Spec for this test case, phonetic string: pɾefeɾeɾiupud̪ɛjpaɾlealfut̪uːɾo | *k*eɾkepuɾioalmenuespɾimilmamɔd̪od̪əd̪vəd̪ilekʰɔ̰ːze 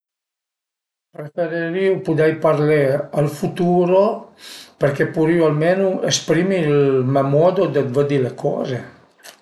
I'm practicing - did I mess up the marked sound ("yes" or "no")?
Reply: yes